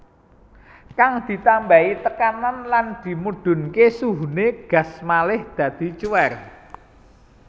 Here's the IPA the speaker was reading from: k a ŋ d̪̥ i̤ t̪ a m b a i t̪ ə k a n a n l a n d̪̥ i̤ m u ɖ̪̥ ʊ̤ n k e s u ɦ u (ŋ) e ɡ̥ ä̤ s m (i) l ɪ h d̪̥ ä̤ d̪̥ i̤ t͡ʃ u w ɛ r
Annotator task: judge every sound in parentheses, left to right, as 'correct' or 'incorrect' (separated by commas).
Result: incorrect, incorrect